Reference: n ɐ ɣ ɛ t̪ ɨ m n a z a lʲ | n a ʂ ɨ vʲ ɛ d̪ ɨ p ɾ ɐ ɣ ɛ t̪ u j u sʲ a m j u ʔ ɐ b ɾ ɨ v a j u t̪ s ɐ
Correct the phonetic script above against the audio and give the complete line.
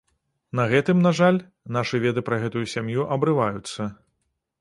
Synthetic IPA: n ɐ ɣ ɛ t̪ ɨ m n a ʐ a lʲ | n a ʂ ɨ vʲ ɛ d̪ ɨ p ɾ ɐ ɣ ɛ t̪ u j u sʲ a m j u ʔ ɐ b ɾ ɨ v a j u t̪ sː ɐ